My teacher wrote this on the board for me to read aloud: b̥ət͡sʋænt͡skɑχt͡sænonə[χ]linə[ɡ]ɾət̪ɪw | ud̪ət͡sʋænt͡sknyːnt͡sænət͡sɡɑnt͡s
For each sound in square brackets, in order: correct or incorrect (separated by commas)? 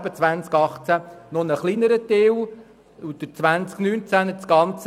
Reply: correct, incorrect